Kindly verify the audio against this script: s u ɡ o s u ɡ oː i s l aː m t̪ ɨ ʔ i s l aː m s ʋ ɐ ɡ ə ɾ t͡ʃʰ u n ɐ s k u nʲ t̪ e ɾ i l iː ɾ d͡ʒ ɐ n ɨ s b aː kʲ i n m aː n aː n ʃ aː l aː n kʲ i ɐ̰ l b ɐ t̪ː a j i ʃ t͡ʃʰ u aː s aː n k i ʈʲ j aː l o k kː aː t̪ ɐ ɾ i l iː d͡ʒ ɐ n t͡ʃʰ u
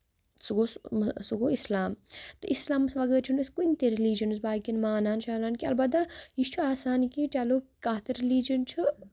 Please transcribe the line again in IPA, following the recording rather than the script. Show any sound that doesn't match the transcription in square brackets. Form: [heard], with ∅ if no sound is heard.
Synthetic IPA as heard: s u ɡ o s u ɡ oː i s l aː m t̪ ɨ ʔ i s l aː m s ʋ ɐ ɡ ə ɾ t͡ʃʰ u n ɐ s k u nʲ t̪ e ɾ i l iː [∅] d͡ʒ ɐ n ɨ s b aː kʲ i n m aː n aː n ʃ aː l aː n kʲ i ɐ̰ l b ɐ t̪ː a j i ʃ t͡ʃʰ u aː s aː n k i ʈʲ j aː l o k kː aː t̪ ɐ ɾ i l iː d͡ʒ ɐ n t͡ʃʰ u